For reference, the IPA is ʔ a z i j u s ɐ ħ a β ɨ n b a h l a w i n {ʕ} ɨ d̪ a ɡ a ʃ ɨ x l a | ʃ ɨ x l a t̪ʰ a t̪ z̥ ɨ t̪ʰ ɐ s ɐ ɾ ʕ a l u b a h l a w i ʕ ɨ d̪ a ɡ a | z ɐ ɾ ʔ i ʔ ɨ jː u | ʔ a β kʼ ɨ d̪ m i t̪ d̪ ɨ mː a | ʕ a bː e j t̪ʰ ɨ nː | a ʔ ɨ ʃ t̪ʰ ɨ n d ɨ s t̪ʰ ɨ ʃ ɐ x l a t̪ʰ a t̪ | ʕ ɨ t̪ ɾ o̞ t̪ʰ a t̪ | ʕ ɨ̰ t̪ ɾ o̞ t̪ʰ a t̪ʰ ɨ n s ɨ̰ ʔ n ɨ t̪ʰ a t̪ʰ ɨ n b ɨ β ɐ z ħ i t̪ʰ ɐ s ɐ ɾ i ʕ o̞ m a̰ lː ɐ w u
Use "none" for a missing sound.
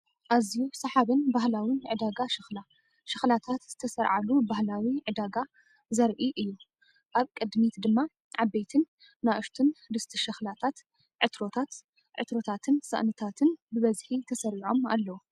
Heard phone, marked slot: ʕ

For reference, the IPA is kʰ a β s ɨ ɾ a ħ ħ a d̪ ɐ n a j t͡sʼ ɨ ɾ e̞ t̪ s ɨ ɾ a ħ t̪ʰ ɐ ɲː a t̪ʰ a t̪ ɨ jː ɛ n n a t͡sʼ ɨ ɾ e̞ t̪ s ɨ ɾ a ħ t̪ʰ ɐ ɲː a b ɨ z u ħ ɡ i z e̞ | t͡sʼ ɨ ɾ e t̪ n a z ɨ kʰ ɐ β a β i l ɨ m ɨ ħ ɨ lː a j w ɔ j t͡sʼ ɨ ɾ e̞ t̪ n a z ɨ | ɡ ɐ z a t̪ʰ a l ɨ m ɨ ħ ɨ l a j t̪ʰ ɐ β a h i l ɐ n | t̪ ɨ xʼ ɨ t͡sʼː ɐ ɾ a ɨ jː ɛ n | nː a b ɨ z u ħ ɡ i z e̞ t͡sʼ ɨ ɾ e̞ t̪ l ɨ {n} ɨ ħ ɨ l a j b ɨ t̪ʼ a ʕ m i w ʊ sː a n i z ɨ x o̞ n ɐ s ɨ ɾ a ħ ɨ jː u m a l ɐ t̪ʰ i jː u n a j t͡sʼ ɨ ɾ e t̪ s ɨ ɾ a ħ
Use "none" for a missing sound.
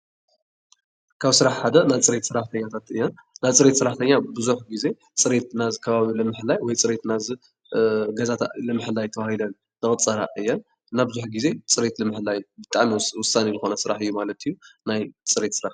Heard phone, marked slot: m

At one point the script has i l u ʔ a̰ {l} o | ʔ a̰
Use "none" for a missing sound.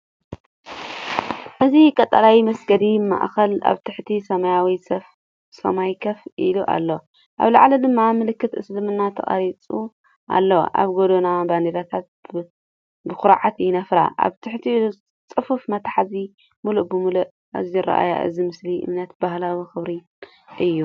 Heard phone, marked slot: lː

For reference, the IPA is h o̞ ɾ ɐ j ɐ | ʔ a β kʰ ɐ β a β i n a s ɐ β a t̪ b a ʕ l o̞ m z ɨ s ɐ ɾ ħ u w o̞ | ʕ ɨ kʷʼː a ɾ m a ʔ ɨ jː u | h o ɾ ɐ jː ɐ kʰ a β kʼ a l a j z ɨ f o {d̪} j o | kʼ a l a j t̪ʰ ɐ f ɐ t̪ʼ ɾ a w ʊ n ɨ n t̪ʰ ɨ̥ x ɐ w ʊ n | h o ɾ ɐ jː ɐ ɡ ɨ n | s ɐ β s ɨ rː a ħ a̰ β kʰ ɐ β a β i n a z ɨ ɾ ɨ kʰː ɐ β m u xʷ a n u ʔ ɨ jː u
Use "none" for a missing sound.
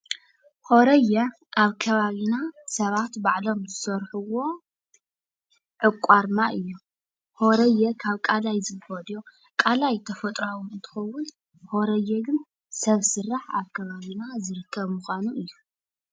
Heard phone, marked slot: d̪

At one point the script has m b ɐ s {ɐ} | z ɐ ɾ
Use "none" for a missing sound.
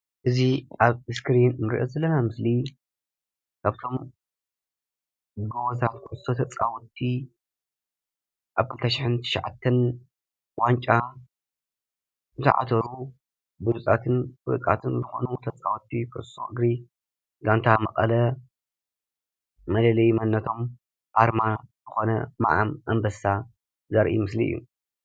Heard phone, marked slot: a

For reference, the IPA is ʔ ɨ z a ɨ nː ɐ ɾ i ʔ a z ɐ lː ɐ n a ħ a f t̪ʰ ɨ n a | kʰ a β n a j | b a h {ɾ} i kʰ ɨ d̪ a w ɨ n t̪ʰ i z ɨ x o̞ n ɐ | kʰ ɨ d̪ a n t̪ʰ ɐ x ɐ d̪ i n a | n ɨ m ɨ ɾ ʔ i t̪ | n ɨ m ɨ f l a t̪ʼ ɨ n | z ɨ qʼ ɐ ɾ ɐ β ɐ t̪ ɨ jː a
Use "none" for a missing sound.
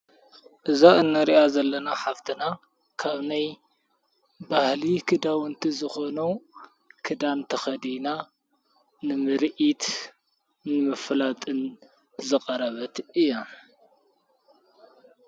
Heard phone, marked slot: l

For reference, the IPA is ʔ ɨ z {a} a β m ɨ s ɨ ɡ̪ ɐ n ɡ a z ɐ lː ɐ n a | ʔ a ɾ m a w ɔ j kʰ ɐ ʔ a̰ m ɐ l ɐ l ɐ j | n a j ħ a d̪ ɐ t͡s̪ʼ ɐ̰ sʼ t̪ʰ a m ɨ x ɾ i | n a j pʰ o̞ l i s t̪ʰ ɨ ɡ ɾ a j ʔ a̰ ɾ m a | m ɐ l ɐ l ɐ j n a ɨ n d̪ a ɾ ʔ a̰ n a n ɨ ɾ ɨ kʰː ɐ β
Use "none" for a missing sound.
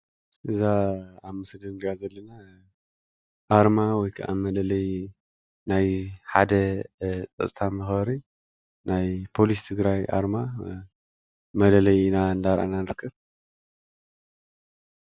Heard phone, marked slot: a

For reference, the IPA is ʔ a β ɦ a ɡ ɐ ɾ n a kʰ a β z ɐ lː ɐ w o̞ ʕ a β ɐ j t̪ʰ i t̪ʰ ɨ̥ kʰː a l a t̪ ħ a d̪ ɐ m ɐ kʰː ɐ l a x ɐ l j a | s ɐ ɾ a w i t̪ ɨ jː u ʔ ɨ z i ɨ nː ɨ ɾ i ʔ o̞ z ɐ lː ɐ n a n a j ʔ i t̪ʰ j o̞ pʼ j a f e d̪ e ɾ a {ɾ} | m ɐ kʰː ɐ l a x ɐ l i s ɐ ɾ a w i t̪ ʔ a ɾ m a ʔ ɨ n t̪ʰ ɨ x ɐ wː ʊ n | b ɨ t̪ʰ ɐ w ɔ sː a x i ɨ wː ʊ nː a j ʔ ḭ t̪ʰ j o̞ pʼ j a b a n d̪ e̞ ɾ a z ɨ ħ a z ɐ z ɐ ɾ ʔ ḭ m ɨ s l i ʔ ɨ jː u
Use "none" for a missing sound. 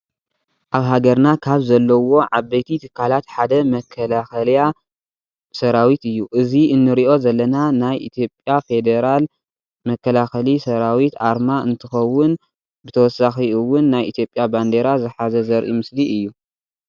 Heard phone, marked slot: l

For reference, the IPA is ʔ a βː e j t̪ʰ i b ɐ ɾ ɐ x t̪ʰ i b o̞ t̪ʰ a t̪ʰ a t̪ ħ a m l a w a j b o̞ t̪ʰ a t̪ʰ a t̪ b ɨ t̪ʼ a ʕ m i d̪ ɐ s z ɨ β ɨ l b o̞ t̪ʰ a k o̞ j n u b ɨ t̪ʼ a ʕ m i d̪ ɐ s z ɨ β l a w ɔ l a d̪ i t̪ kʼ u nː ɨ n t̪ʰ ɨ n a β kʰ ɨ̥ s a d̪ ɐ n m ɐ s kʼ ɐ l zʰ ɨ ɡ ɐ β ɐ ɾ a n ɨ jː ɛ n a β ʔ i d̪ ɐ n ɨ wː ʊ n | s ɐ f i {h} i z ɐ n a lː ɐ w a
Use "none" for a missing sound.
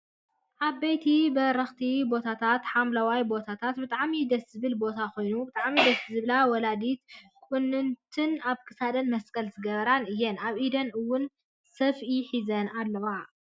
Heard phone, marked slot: ħ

